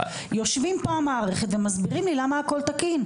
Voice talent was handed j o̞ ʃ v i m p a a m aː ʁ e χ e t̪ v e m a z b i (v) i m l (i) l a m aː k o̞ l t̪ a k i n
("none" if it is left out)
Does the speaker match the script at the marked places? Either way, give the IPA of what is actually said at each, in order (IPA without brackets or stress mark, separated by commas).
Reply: ʁ, i